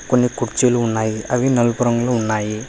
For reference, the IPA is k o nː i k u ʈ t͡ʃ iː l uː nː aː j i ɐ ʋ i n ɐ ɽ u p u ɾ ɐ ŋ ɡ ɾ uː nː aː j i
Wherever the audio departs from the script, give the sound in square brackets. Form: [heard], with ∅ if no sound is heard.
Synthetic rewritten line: k o nː i k u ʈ t͡ʃ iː l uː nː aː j i ɐ ʋ i n ɐ [l] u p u ɾ ɐ ŋ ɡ [l] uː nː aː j i